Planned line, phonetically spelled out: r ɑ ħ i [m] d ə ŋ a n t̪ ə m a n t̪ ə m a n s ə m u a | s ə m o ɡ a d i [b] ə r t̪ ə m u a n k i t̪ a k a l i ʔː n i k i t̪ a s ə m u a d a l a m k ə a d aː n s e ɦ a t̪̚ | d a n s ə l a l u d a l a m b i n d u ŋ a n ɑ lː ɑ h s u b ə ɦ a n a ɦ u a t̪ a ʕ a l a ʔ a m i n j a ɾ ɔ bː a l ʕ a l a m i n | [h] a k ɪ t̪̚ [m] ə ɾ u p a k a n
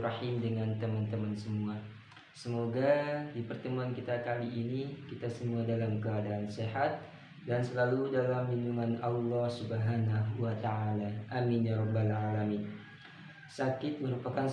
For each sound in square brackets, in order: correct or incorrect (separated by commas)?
correct, incorrect, incorrect, correct